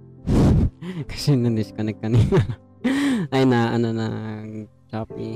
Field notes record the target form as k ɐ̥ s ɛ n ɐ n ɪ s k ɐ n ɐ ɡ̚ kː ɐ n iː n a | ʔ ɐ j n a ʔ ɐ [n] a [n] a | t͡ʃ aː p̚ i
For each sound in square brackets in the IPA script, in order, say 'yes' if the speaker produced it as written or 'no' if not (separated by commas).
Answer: yes, yes